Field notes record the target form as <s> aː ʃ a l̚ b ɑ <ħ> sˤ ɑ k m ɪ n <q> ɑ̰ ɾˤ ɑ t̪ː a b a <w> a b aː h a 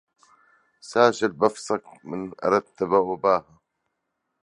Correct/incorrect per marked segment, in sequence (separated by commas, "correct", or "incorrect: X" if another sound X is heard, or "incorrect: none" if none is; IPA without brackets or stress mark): correct, incorrect: f, incorrect: ʔ, correct